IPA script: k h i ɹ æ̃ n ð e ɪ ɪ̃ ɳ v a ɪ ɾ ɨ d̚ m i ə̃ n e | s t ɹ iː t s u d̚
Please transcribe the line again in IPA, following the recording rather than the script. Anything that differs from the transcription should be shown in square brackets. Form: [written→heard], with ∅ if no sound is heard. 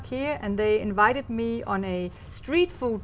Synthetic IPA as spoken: k h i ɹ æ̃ n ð e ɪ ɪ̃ [ɳ→n] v a ɪ ɾ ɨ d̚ m i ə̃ n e | s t ɹ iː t [s→f] u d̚